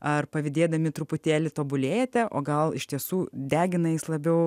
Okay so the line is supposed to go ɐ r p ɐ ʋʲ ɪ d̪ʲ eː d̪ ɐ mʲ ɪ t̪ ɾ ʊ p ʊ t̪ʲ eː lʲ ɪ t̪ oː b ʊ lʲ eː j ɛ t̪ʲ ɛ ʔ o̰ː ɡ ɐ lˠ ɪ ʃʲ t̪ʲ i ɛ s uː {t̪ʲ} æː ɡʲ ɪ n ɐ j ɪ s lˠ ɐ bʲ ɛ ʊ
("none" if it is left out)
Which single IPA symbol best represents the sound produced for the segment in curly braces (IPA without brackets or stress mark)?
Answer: d̪ʲ